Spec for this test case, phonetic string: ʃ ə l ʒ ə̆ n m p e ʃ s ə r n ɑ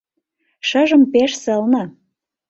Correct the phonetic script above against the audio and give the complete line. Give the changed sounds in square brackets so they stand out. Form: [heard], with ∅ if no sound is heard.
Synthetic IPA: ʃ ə [∅] ʒ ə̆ [∅] m p e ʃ s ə [l] n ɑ